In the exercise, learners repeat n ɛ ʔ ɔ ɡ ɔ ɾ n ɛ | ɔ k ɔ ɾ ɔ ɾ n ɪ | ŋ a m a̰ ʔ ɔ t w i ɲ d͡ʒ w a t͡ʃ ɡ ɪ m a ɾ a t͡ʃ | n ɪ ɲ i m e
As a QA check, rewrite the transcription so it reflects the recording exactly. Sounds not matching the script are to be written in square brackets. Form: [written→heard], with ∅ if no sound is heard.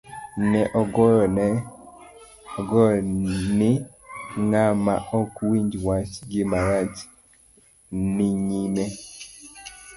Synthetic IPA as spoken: n ɛ ʔ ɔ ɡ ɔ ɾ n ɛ | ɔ [k→ɡ] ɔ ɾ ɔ [ɾ→∅] n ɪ | ŋ a m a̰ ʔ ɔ [t→k] w i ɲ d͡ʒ w a t͡ʃ ɡ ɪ m a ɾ a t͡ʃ | n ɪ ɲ i m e